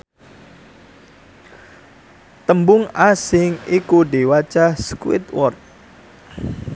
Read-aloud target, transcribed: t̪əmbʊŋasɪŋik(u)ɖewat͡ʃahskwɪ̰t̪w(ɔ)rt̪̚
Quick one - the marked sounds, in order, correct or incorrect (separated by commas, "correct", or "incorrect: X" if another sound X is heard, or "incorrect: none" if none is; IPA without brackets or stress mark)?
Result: correct, correct